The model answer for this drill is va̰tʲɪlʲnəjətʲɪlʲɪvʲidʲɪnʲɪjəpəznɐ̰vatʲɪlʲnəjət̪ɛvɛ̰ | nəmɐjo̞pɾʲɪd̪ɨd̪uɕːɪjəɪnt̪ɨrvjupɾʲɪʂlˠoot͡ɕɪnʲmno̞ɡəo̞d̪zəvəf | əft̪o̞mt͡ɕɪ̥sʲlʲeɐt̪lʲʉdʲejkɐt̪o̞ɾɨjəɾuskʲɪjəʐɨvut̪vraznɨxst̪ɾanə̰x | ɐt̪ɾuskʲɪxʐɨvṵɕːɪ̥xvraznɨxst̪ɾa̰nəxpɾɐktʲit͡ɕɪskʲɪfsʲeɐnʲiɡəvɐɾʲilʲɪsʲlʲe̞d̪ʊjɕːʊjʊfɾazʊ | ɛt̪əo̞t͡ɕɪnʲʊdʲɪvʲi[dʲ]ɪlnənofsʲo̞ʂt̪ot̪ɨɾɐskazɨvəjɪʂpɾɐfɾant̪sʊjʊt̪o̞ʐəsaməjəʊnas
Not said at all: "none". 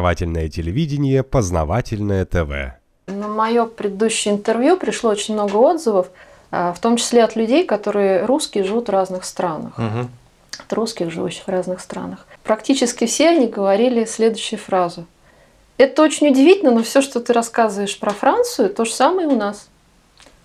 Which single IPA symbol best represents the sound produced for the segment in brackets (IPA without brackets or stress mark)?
tʲ